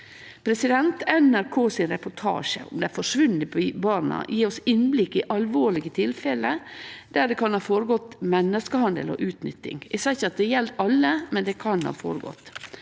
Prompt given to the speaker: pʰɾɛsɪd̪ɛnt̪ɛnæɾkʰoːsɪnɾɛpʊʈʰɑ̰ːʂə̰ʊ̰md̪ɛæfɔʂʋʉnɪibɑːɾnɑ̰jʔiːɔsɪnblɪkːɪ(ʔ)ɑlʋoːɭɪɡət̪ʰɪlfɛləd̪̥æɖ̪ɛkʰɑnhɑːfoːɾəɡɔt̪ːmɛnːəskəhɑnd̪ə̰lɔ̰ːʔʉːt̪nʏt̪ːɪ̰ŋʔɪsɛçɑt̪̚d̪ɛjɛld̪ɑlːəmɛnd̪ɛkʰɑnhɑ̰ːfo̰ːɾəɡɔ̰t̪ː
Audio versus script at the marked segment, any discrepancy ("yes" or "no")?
no